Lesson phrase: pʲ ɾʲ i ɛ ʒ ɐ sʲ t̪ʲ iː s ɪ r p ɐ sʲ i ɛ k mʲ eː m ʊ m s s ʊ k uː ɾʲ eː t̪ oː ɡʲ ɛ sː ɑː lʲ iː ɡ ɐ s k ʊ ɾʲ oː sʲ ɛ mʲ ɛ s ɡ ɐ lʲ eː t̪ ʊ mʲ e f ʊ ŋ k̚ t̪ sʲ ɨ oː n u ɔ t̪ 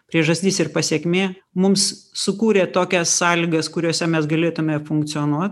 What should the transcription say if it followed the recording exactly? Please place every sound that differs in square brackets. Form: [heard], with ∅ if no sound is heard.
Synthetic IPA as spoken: pʲ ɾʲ i ɛ ʒ ɐ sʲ t̪ʲ iː s ɪ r p ɐ sʲ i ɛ k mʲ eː m ʊ m s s ʊ k uː ɾʲ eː t̪ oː [kʲ] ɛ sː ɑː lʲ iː ɡ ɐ s k ʊ ɾʲ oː sʲ ɛ mʲ ɛ s ɡ ɐ lʲ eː t̪ ʊ mʲ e f ʊ ŋ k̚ t̪ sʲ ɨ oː n u ɔ t̪